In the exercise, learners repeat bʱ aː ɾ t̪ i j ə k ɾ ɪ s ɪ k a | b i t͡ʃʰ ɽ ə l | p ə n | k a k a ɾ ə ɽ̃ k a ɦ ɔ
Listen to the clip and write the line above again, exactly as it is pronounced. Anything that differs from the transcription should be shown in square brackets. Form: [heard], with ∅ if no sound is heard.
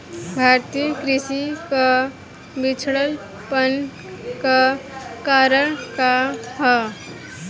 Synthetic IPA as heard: bʱ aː ɾ t̪ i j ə k ɾ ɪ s [i] k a | b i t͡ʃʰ ɽ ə l | p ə n | k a k a ɾ ə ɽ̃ k a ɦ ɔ

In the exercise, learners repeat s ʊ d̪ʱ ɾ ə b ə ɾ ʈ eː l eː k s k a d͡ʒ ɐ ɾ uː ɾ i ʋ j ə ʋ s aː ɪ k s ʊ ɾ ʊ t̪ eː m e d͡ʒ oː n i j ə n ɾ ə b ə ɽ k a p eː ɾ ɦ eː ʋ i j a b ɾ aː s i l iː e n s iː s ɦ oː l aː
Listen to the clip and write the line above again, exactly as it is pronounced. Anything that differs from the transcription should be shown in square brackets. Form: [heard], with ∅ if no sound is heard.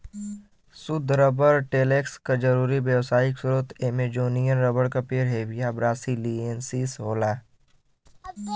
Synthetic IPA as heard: s ʊ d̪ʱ ɾ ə b ə ɾ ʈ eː l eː k s k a d͡ʒ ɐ ɾ uː ɾ i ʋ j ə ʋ s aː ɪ k s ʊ ɾ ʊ t̪ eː m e d͡ʒ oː n i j ə n ɾ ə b ə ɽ k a p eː ɾ ɦ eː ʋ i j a b ɾ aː s i l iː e n s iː s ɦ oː l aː

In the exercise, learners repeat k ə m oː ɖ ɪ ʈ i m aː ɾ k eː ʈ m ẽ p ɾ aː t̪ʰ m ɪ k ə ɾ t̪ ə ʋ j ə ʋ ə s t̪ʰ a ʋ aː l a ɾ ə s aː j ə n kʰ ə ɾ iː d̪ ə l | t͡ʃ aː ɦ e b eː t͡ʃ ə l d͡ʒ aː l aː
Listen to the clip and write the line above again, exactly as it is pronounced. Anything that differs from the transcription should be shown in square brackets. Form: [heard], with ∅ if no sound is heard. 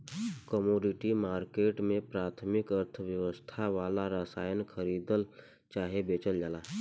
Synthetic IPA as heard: k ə m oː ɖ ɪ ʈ i m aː ɾ k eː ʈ m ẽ p ɾ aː t̪ʰ m ɪ k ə ɾ [t̪ʰ] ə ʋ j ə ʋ ə s t̪ʰ a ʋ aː l a ɾ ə s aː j ə n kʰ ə ɾ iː d̪ ə l | t͡ʃ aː ɦ e b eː t͡ʃ ə l d͡ʒ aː l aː

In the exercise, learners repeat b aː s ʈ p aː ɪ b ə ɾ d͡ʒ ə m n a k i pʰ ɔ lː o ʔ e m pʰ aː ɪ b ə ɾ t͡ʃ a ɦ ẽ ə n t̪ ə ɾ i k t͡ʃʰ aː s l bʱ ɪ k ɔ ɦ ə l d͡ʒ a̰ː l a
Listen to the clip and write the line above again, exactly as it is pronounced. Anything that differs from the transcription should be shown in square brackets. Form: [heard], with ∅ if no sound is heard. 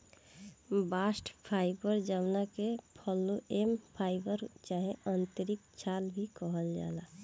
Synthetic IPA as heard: b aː s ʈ [pʰ] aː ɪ b ə ɾ d͡ʒ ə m n a k [e] pʰ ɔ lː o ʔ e m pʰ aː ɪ b ə ɾ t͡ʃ a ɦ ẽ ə n t̪ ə ɾ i k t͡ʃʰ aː [∅] l bʱ [i] k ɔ ɦ ə l d͡ʒ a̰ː l a

